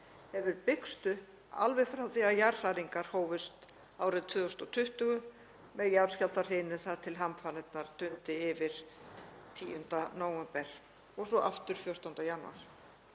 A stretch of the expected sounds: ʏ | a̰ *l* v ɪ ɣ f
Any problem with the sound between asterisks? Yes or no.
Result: no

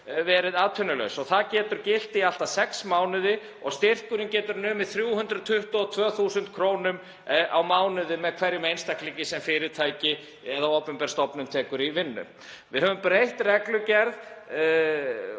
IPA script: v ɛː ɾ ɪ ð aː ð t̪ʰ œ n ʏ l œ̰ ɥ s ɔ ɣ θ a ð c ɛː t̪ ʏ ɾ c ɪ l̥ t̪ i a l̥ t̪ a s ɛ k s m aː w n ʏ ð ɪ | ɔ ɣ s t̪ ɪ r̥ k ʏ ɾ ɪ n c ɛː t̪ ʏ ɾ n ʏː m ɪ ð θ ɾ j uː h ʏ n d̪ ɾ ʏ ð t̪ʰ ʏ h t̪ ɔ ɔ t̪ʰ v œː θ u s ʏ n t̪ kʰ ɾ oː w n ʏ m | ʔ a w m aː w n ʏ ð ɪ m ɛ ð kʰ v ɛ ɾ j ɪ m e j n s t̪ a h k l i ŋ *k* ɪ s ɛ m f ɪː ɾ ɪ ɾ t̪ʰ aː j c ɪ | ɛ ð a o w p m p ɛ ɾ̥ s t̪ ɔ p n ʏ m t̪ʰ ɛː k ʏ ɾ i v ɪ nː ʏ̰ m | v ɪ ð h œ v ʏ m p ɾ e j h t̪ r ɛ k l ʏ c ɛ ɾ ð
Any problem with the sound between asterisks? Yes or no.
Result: yes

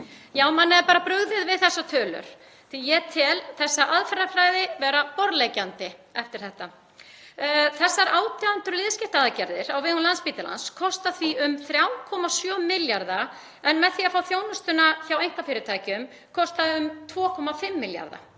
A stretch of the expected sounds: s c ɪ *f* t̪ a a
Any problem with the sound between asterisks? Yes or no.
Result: yes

